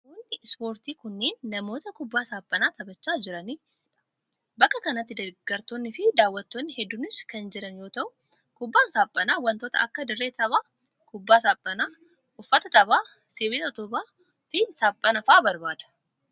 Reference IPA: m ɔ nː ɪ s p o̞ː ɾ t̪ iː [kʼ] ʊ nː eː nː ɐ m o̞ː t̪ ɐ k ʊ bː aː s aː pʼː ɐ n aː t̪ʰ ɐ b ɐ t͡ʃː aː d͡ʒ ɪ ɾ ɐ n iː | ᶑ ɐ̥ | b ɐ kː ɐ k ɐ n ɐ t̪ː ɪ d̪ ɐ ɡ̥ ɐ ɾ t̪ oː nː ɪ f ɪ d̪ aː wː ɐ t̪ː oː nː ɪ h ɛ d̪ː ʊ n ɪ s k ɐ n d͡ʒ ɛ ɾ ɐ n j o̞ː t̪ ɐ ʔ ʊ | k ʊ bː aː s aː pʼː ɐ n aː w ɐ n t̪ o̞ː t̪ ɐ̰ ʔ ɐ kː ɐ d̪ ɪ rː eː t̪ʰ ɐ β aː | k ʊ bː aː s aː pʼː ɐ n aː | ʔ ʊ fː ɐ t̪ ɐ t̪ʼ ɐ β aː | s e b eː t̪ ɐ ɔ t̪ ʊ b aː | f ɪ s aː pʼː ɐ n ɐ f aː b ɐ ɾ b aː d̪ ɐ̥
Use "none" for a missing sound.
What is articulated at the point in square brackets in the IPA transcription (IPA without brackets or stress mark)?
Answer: k